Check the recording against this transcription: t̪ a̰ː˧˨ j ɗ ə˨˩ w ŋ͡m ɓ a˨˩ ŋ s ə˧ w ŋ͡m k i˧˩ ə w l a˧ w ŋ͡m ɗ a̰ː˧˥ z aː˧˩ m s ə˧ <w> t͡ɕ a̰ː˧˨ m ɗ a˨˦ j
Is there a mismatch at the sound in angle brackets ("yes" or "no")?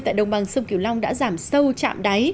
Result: no